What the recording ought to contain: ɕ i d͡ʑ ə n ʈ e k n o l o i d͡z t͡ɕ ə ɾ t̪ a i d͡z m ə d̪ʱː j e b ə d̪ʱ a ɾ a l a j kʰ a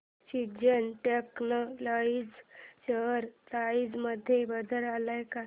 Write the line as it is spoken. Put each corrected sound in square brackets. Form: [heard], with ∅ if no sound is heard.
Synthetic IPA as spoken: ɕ i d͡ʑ ə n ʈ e k n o l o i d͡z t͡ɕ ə ɾ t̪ a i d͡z m ə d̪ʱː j e b ə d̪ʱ [ə] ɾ a l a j [k] a